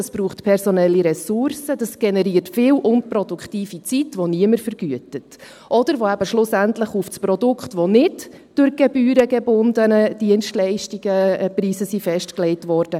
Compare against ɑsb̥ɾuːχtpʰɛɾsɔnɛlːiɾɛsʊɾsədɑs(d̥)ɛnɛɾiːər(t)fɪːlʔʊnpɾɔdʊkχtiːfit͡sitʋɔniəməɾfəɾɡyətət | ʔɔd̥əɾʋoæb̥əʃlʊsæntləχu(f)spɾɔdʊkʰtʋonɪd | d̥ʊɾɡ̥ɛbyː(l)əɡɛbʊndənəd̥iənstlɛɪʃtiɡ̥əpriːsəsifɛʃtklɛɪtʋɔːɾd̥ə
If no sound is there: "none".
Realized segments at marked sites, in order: ɡ̥, t, f, ɾ

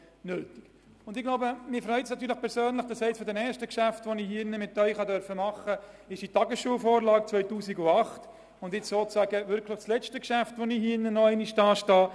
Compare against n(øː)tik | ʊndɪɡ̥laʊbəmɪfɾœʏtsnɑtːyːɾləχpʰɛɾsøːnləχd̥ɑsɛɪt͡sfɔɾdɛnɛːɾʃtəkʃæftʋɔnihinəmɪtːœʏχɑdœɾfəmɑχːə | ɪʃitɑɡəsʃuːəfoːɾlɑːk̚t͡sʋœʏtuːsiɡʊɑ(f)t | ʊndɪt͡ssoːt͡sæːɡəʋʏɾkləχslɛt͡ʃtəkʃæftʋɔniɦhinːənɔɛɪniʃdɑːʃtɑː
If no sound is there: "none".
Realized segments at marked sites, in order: øː, χ

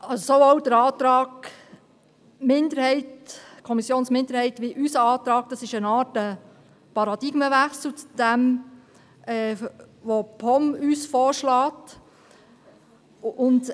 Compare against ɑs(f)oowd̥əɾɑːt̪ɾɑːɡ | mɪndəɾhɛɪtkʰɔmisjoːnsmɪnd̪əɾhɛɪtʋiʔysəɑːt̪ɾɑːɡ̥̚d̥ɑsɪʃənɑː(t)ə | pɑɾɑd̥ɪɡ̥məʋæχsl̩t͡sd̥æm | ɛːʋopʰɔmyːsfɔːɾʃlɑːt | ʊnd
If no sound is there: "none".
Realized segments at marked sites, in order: s, t

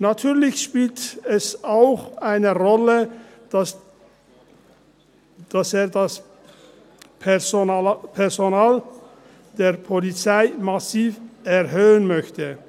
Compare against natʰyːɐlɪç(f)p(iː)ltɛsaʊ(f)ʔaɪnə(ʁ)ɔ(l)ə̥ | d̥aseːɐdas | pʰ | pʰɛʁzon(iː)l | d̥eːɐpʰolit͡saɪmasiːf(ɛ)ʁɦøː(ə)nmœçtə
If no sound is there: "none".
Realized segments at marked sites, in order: ʃ, iː, x, ʁ, l, aː, ɛ, ə

